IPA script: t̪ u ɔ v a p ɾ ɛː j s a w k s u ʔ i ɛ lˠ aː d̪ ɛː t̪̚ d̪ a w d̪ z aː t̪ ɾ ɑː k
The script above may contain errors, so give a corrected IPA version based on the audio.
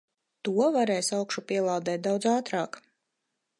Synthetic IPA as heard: t̪ u ɔ v a ɾ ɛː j s a w k ʃ u p i ɛ lˠ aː d̪ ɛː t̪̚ d̪ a w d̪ z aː t̪ ɾ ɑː k